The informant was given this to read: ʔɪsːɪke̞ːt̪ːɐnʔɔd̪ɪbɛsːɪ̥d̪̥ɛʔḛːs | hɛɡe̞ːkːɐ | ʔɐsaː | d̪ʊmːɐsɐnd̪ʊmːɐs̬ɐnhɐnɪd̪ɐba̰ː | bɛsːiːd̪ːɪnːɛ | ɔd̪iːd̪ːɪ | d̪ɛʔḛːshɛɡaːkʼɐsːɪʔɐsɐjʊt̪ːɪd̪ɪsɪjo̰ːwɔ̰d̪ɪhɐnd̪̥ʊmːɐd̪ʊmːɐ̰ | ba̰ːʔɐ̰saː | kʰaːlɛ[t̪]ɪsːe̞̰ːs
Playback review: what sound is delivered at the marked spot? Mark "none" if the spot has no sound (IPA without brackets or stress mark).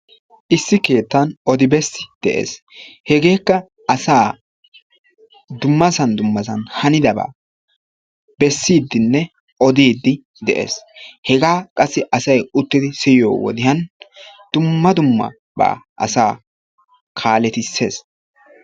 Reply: t̪